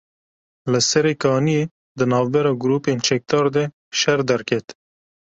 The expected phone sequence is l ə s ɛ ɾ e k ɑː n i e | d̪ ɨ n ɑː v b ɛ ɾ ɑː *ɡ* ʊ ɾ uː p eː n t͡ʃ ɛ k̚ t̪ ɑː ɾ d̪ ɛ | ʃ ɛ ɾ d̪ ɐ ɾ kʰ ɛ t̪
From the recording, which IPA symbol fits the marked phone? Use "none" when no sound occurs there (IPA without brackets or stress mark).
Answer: ɡ